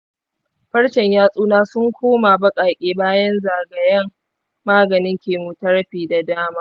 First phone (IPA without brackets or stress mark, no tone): ɸ